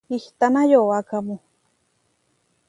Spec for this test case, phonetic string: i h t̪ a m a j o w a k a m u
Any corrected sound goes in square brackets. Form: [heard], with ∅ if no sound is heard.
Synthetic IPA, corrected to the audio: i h t̪ a [n] a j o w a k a m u